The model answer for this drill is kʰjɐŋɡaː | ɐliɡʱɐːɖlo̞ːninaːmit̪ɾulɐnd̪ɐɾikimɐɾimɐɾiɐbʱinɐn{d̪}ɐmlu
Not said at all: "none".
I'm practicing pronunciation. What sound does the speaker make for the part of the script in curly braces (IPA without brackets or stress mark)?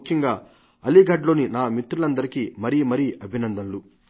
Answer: d̪